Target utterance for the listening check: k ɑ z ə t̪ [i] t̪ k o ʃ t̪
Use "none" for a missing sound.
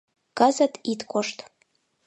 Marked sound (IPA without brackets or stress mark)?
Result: i